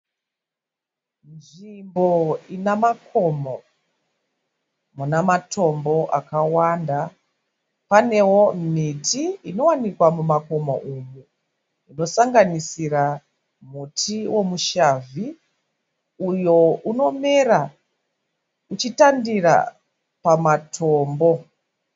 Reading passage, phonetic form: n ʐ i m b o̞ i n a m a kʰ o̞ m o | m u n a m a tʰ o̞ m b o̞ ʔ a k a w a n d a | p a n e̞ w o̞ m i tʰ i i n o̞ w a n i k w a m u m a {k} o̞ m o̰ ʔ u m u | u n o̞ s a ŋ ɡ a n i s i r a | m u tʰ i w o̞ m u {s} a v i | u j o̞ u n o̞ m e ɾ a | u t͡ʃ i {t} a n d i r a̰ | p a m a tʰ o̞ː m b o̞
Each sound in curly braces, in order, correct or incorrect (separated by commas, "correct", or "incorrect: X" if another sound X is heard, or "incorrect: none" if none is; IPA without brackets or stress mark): correct, incorrect: ʃ, correct